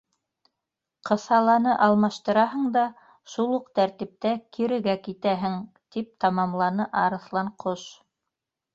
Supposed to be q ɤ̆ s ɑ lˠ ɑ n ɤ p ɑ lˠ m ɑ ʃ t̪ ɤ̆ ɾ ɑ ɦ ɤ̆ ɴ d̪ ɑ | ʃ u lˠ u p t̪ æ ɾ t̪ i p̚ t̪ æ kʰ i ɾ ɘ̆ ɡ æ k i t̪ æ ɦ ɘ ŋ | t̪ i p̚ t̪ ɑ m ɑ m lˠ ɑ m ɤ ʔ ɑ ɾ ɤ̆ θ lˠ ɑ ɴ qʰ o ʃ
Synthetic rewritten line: q ɤ̆ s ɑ lˠ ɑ n ɤ ʔ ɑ lˠ m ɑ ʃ t̪ ɤ̆ ɾ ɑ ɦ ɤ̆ ɴ d̪ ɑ | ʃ u lˠ u q t̪ æ ɾ t̪ i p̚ t̪ æ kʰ i ɾ ɘ̆ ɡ æ k i t̪ æ ɦ ɘ ŋ | t̪ i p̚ t̪ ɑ m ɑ m lˠ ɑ n ɤ ʔ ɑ ɾ ɤ̆ θ lˠ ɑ ɴ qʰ o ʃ